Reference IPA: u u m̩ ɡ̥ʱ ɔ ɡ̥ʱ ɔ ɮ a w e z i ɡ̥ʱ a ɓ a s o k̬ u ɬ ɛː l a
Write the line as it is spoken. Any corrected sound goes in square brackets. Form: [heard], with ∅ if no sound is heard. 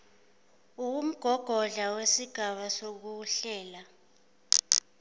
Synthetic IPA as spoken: u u m̩ ɡ̥ʱ ɔ ɡ̥ʱ ɔ ɮ a w e [s] i ɡ̥ʱ a ɓ a s o k̬ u ɬ ɛː l a